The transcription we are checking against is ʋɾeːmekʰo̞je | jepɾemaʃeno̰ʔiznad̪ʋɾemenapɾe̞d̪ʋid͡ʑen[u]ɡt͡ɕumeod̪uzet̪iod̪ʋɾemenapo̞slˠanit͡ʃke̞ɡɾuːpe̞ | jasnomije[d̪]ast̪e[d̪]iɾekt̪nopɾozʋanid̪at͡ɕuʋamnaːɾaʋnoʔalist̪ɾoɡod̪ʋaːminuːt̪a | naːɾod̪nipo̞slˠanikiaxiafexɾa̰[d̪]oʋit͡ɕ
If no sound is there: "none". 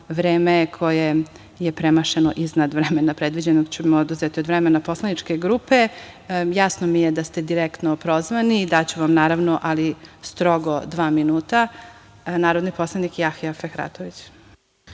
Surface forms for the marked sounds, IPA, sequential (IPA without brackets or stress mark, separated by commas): o, d̪, d̪, t̪